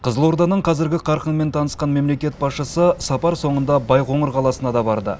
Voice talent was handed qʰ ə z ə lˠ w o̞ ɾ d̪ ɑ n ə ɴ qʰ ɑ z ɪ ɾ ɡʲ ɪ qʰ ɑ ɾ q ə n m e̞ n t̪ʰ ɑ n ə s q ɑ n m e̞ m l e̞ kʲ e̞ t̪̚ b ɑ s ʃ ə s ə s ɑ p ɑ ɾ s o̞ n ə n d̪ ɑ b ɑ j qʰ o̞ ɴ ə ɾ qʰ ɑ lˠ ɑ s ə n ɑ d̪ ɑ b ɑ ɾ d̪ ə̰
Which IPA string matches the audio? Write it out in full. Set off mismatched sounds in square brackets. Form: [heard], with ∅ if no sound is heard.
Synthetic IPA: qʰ ə z ə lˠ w o̞ ɾ d̪ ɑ n ə ɴ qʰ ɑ z ɪ ɾ ɡʲ ɪ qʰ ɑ ɾ q ə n m e̞ n t̪ʰ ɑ n ə s q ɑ n m e̞ m l e̞ kʲ e̞ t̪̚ b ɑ s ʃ ə s ə s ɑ p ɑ ɾ s o̞ [ɴ] ə n d̪ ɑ b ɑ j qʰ o̞ ɴ ə ɾ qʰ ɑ lˠ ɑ s ə n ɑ d̪ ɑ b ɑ ɾ d̪ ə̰